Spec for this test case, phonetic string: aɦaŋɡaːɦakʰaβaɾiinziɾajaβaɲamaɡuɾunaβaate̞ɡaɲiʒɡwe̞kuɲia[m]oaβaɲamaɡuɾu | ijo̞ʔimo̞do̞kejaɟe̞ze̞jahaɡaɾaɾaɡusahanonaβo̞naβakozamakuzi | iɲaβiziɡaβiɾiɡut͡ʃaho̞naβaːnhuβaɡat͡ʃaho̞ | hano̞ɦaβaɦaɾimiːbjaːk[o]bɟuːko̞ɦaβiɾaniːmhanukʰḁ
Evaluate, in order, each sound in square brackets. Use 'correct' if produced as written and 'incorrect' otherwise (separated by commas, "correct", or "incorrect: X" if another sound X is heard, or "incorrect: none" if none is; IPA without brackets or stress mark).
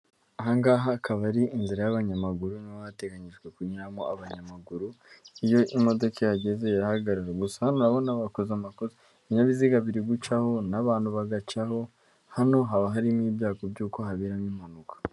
correct, correct